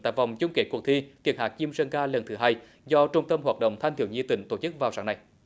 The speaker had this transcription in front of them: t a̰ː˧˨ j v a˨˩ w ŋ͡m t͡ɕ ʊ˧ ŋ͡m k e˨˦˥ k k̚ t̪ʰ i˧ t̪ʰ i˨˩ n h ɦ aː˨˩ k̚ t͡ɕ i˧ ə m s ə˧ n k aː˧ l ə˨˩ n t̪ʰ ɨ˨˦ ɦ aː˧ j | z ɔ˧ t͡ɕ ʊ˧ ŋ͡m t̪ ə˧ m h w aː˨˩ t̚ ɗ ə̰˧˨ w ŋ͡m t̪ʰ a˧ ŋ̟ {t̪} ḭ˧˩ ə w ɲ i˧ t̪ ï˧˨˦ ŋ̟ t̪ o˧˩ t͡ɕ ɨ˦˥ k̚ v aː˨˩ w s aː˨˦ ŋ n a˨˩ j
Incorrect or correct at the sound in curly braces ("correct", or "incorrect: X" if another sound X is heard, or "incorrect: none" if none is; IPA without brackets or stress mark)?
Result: correct